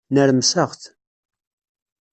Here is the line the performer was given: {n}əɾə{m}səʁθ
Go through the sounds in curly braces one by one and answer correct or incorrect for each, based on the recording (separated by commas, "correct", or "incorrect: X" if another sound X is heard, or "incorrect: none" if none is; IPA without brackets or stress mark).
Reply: correct, correct